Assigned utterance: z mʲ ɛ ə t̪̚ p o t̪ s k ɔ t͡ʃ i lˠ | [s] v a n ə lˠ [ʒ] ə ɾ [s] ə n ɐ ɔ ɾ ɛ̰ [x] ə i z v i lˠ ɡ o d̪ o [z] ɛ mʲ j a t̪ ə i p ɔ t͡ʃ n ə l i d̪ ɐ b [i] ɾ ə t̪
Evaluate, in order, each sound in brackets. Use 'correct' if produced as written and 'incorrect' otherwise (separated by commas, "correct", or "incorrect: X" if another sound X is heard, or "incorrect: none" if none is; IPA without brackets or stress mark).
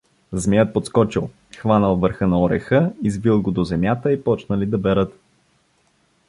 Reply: incorrect: x, incorrect: v, incorrect: x, correct, correct, incorrect: ɛ